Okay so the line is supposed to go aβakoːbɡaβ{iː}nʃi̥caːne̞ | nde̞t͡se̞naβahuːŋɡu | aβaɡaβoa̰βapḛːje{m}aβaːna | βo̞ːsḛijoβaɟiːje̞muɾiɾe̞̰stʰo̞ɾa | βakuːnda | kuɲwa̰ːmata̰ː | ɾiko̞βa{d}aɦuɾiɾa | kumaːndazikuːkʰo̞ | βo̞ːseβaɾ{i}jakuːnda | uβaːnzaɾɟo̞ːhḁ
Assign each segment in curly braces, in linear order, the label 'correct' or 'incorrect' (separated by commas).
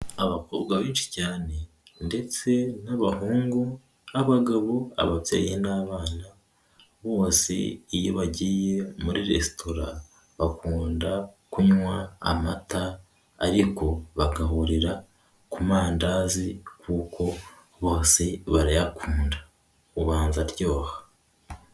correct, incorrect, incorrect, incorrect